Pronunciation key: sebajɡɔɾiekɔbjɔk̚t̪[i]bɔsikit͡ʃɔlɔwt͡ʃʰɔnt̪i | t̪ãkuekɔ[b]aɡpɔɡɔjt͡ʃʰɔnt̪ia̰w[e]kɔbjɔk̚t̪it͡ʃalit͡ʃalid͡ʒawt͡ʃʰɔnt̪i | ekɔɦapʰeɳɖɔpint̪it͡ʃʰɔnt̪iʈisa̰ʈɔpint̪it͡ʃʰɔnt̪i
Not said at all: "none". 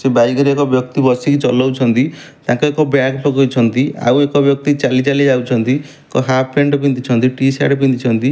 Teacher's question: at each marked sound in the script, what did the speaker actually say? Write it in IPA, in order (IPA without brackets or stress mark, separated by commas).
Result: i, b, e